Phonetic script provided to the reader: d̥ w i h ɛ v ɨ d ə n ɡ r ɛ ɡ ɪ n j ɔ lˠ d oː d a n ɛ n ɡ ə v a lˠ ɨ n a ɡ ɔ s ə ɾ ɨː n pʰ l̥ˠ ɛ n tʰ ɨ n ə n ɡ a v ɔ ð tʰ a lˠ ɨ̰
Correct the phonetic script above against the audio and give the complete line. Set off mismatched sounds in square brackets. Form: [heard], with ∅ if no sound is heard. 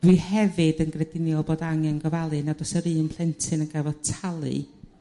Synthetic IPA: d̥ w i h ɛ v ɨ d ə n ɡ r ɛ [d] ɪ n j ɔ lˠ [b] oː d a [ŋ] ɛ n ɡ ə v a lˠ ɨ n a [d] ɔ s ə ɾ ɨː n pʰ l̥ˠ ɛ n tʰ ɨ n ə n ɡ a v ɔ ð tʰ a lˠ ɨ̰